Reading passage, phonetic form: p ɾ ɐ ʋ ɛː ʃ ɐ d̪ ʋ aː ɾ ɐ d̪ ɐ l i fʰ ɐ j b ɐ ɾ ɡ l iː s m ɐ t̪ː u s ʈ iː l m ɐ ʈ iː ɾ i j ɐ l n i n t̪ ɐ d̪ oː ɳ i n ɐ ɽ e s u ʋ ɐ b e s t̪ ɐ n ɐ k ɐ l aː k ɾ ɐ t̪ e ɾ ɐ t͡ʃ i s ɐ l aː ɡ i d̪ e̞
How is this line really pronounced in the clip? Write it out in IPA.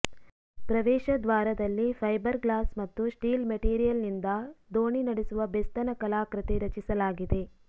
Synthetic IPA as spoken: p ɾ ɐ ʋ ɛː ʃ ɐ d̪ ʋ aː ɾ ɐ d̪ ɐ lː i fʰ ɐ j b ɐ ɾ ɡ l aː s m ɐ t̪ː u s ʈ iː l m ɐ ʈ iː ɾ i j ɐ l n i n d̪ ɐ d̪ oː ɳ i n ɐ ɽ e s u ʋ ɐ b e s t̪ ɐ n ɐ k ɐ l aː k ɾ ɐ t̪ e ɾ ɐ t͡ʃ i s ɐ l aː ɡ i d̪ e̞